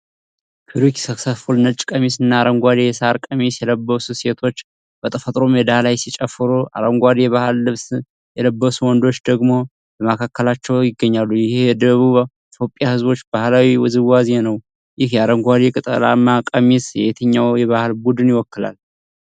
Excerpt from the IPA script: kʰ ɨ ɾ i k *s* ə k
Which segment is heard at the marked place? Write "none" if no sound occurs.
s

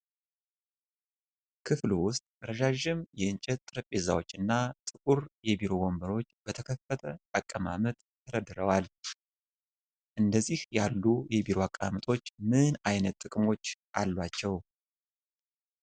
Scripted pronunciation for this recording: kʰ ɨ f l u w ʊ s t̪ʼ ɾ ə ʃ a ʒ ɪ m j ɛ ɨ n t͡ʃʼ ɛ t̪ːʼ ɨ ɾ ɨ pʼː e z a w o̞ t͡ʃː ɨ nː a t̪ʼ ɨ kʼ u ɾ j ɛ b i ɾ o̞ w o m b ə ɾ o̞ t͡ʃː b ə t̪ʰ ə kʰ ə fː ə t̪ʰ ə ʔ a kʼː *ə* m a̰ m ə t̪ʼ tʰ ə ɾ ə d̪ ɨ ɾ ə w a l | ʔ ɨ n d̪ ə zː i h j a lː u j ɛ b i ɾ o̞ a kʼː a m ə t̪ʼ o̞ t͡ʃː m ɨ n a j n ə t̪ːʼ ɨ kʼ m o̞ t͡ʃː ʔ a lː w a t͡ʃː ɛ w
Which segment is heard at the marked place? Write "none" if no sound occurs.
ə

